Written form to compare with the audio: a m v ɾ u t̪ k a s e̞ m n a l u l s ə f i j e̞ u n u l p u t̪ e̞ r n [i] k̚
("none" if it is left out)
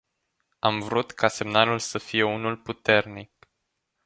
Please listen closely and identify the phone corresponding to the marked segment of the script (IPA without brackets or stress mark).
i